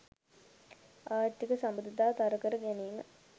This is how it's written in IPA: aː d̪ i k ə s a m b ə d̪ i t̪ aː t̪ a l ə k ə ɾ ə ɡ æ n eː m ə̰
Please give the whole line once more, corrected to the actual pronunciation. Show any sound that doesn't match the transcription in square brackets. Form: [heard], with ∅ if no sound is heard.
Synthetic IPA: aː [t̪] i k ə s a m b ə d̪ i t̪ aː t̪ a [ɾ] ə k ə ɾ ə ɡ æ n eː m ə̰

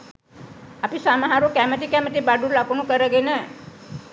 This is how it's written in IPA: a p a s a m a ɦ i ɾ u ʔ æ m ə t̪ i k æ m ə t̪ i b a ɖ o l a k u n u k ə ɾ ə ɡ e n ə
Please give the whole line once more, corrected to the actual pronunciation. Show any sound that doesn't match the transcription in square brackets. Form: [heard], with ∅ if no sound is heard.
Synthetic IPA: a p [i] s a m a ɦ [a] ɾ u [k] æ m ə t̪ i k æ m ə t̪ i b a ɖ [u] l a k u n u k ə ɾ ə ɡ e n ə

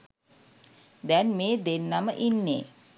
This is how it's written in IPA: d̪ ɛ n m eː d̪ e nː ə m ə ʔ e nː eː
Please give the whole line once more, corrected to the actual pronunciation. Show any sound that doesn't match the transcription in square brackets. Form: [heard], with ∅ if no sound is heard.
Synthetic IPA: d̪ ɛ n m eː d̪ e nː [a] m ə ʔ [i] nː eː

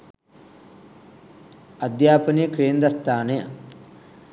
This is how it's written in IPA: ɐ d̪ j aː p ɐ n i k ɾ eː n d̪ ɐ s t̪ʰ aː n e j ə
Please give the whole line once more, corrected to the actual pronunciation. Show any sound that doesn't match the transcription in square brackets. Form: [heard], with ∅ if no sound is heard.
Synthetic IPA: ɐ d̪ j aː p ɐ n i k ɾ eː n d̪ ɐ s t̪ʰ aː n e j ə

